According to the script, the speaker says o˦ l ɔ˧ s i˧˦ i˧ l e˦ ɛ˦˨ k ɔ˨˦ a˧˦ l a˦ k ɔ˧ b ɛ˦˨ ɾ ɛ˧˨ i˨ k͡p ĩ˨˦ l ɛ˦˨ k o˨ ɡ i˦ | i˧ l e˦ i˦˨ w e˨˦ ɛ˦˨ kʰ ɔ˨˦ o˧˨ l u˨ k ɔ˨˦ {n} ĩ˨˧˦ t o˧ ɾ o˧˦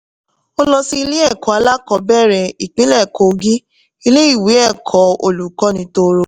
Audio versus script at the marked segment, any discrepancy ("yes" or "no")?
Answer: no